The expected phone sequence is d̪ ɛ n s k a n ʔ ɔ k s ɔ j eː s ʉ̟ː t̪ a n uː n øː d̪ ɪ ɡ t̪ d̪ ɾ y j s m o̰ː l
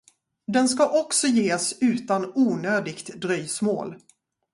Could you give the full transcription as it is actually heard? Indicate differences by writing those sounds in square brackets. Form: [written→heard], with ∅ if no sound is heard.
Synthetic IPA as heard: d̪ ɛ n s k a [n→∅] ʔ ɔ k s ɔ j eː s ʉ̟ː t̪ a n uː n øː d̪ ɪ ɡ t̪ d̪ ɾ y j s m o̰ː l